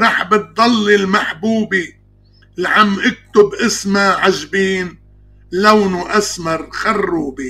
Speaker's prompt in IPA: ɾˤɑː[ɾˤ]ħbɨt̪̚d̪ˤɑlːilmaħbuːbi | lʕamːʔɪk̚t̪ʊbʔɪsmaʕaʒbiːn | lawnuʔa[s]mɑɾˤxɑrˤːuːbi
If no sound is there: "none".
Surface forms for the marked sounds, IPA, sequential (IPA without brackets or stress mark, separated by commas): none, s